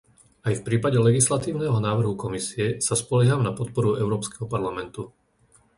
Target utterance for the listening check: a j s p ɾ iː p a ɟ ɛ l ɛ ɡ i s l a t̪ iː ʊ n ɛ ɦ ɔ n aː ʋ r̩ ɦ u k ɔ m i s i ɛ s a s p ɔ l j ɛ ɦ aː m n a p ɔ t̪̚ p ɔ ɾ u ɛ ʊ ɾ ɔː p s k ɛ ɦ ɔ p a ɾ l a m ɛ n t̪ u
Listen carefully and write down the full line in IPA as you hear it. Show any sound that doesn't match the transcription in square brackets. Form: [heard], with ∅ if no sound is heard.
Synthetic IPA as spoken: a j [f] p ɾ iː p a ɟ ɛ l ɛ ɡ i s l a t̪ iː ʊ n ɛ ɦ ɔ n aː ʋ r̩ ɦ u k ɔ m i s i ɛ s a s p ɔ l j ɛ ɦ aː m n a p ɔ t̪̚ p ɔ ɾ u ɛ ʊ ɾ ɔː p s k ɛ ɦ ɔ p a ɾ l a m ɛ n t̪ u